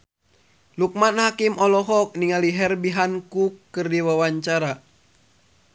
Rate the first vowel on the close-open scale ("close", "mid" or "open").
close